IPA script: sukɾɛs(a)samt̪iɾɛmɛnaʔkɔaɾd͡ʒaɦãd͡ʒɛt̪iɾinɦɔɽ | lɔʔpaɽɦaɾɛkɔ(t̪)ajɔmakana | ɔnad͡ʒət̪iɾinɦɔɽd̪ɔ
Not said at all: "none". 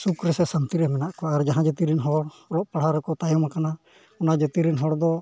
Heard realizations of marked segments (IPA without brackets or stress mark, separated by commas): ɛ, t̪